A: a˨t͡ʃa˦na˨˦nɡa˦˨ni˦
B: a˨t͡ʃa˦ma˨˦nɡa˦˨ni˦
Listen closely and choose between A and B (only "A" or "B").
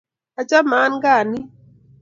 B